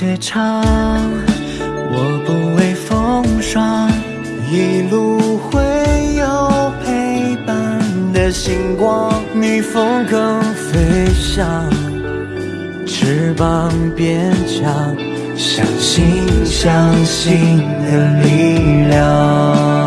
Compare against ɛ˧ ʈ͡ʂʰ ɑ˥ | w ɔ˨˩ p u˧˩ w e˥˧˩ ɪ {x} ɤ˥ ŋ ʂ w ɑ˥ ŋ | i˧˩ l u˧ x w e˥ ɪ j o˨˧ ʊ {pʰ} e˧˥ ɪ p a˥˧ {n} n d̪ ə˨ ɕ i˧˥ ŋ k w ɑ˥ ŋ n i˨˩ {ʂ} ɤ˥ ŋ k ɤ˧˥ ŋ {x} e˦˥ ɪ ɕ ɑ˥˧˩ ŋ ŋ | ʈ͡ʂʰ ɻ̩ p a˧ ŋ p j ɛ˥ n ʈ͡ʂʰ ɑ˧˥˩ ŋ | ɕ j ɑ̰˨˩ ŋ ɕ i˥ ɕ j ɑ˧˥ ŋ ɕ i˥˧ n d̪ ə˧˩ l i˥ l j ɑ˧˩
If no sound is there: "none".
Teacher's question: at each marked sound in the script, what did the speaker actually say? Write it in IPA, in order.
f, pʰ, n, f, f

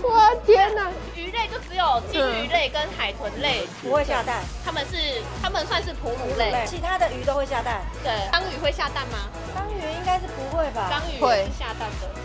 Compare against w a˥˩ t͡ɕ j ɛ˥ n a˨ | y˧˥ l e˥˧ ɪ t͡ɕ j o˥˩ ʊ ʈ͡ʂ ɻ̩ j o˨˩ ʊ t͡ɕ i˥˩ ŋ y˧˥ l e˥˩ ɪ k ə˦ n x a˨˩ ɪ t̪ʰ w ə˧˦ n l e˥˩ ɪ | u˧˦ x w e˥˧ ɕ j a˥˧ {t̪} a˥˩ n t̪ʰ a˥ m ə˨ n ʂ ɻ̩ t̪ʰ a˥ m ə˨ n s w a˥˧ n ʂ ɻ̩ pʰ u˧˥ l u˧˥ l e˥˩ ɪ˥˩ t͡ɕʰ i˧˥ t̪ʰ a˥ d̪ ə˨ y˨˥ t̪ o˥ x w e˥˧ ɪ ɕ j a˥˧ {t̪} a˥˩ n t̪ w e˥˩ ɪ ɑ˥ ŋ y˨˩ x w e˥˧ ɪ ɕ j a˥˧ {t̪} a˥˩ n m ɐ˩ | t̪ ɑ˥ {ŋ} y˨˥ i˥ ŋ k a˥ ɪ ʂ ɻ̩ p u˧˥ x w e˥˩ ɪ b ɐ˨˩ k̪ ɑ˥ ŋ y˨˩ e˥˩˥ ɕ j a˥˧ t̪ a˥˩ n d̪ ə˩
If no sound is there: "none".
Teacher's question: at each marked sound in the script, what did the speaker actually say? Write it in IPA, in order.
t̪, t̪, t̪, ŋ

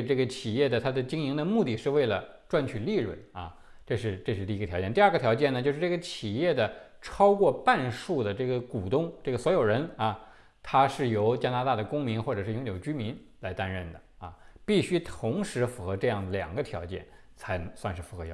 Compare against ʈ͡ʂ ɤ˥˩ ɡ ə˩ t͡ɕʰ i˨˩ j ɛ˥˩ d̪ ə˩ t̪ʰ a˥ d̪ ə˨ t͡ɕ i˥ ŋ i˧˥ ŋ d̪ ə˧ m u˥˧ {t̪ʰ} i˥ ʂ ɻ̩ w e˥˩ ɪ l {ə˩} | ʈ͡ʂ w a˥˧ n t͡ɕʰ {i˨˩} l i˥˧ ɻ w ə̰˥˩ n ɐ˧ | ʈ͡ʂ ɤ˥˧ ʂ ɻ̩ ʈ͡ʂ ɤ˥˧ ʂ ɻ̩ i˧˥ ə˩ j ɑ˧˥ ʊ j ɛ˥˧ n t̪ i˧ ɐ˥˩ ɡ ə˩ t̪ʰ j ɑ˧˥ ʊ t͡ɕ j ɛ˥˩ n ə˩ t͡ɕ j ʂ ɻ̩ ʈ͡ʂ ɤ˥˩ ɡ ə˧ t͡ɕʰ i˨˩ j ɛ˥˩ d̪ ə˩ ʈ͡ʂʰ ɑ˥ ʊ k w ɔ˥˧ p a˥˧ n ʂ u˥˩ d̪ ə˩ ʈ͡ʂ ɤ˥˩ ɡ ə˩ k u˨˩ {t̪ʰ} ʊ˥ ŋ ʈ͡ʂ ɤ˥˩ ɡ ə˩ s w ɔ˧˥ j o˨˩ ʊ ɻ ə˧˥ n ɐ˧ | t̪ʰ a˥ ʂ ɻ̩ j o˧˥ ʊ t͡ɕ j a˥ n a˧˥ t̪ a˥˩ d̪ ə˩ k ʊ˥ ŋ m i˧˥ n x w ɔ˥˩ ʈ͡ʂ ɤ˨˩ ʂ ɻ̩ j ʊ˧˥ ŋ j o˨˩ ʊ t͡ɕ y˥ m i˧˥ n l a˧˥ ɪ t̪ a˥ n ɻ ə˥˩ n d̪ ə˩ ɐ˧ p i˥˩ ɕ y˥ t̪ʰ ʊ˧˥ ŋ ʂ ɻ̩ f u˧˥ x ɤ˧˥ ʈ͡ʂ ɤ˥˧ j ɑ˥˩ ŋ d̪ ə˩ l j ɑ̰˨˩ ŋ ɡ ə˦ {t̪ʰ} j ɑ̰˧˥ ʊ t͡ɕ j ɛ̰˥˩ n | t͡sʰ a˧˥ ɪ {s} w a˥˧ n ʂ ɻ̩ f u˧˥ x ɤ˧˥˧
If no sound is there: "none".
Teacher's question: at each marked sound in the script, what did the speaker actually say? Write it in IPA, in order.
t̪, ə˩, y˨˩, t̪, t̪ʰ, s

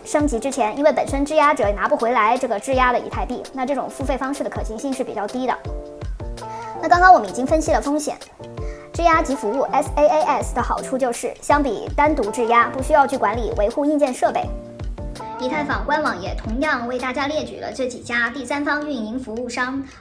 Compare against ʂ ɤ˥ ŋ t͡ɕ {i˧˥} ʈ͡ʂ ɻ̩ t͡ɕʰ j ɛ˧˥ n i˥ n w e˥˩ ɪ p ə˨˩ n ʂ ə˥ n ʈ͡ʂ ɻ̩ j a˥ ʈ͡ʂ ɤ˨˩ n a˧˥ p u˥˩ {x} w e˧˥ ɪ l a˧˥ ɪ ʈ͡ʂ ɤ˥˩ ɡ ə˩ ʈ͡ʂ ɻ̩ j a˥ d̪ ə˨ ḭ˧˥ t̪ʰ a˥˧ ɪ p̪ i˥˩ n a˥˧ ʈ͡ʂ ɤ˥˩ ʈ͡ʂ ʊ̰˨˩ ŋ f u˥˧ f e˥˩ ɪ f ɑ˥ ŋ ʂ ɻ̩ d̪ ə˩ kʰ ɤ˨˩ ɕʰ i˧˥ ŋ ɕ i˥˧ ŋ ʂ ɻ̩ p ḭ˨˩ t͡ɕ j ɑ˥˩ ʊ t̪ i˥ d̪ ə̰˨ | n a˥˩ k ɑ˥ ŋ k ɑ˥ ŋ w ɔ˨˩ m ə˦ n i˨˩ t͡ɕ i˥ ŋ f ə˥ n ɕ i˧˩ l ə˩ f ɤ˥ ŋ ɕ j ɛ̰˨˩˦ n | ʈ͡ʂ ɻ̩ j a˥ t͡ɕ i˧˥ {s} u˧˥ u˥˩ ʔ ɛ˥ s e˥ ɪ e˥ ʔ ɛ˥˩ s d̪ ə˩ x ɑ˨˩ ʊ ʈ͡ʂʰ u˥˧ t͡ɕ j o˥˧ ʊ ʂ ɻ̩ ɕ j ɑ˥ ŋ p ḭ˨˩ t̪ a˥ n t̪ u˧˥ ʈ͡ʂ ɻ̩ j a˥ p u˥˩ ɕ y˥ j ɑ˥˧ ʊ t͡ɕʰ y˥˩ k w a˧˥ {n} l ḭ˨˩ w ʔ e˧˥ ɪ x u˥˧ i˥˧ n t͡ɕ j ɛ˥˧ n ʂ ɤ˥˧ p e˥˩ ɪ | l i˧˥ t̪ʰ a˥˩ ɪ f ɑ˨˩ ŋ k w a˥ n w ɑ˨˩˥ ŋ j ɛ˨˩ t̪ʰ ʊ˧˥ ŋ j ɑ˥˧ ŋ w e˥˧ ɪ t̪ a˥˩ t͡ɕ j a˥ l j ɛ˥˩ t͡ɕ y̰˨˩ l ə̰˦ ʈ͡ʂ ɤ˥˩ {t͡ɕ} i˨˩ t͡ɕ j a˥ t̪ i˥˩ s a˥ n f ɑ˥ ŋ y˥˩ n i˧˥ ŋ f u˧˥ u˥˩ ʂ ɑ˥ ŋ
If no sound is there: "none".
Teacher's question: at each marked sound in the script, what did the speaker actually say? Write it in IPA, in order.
i˧˥, x, f, n, t͡ɕ

